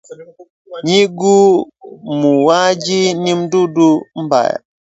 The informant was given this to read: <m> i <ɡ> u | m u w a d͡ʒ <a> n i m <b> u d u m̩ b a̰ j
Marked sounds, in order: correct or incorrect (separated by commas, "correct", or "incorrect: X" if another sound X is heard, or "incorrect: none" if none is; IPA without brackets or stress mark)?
incorrect: ɲ, correct, incorrect: i, incorrect: d